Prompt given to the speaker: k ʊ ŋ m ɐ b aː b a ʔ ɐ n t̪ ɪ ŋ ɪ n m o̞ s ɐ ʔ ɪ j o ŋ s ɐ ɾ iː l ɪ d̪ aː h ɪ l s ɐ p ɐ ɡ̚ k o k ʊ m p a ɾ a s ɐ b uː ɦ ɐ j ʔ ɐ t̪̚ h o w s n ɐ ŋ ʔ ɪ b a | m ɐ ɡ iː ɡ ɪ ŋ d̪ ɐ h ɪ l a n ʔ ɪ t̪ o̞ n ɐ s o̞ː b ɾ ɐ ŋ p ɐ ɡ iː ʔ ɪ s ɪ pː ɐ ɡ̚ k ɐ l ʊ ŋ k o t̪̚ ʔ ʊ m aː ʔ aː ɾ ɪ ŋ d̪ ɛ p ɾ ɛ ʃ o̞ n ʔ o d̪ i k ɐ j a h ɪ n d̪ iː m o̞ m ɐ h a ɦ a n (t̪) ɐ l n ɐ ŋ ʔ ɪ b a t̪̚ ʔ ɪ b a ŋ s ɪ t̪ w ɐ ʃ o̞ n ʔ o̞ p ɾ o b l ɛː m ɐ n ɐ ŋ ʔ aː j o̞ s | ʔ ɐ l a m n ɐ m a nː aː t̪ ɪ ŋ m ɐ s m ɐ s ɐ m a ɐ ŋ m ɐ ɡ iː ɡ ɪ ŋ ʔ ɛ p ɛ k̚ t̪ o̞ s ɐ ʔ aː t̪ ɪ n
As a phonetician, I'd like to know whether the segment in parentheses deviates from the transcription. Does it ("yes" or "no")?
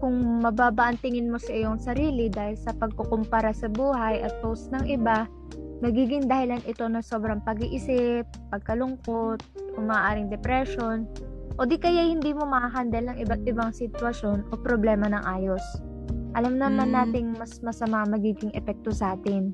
yes